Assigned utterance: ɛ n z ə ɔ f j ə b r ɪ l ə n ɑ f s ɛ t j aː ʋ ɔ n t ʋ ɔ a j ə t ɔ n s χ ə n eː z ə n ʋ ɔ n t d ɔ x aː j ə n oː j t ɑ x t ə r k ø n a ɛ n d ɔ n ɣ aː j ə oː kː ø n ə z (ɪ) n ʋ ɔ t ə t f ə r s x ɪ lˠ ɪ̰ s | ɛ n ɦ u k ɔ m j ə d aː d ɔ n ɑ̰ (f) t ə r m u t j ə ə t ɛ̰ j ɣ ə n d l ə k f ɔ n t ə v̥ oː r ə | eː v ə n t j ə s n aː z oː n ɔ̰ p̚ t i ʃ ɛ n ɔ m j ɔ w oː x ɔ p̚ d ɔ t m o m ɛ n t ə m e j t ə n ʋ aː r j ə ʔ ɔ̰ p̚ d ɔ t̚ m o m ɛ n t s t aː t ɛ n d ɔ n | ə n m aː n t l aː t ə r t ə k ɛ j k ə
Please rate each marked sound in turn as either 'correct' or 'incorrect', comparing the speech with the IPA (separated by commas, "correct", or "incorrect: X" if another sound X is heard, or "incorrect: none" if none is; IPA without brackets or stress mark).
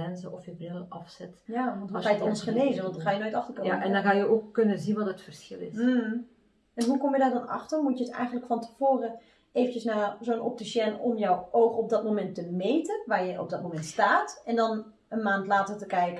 incorrect: i, incorrect: x